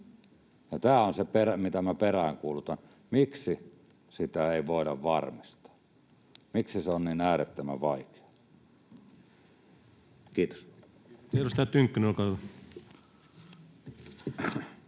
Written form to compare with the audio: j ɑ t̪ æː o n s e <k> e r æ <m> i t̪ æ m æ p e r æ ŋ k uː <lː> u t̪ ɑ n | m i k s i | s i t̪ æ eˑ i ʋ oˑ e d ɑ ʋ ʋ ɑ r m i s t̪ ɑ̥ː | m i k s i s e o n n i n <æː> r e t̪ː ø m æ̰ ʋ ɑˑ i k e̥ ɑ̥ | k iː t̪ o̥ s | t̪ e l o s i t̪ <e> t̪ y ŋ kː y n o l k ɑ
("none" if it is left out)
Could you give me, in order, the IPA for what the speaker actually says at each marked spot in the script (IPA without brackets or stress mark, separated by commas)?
p, m, l, æː, æ